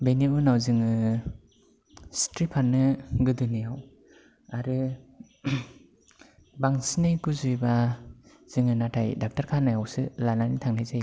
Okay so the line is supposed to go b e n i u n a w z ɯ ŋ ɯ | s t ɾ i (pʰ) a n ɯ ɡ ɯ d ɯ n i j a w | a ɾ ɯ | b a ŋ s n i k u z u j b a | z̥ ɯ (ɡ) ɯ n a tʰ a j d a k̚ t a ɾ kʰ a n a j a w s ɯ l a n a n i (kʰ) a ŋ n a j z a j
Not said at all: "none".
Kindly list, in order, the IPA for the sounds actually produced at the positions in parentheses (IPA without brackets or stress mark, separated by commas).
pʰ, ŋ, tʰ